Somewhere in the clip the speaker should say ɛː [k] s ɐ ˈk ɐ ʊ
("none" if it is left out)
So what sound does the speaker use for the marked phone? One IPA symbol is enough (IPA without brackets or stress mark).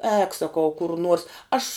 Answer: k